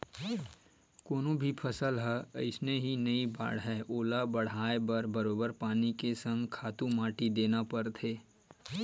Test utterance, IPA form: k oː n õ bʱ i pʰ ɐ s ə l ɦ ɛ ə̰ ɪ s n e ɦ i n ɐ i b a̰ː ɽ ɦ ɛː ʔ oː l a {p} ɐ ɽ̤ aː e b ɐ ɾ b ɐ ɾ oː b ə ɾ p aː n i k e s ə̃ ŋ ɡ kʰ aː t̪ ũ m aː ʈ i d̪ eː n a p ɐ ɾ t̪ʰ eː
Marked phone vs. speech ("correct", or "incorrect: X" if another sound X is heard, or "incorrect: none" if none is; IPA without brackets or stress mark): incorrect: b